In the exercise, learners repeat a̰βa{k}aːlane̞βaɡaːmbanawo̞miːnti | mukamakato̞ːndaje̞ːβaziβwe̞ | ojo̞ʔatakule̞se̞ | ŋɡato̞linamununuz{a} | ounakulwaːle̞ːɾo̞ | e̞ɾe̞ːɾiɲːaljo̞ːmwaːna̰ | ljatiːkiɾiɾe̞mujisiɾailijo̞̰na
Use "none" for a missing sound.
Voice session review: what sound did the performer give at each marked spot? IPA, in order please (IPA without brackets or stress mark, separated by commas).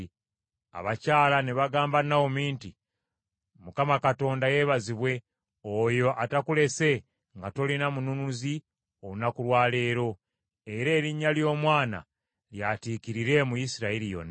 c, i